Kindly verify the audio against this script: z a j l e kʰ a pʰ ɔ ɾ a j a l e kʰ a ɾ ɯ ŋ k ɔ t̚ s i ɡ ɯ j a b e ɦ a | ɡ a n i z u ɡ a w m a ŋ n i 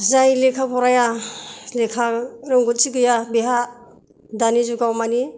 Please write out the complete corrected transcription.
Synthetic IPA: z a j l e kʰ a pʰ ɔ ɾ a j a l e kʰ a ɾ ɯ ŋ ɡ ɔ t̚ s i ɡ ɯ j a b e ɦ a | d a n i z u ɡ a w m a n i